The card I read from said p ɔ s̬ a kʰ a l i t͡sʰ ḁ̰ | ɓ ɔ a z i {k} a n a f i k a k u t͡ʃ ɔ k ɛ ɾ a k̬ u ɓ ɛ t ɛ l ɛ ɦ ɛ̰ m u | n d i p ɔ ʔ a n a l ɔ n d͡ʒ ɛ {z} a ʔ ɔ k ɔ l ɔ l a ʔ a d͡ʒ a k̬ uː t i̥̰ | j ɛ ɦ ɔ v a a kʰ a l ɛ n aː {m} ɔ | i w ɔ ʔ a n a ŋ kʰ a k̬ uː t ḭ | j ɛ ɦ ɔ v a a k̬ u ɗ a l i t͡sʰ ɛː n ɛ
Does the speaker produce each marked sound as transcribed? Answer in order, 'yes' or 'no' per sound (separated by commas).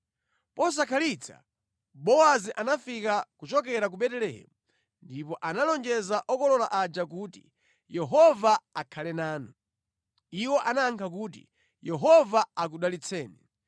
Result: no, yes, no